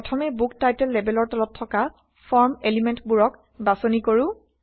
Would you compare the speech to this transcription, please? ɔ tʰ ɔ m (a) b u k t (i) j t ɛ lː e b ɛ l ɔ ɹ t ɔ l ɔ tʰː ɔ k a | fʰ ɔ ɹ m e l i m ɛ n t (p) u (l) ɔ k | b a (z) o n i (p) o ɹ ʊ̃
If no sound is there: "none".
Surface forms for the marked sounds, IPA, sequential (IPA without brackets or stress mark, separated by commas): ɛ, a, b, ɹ, s, k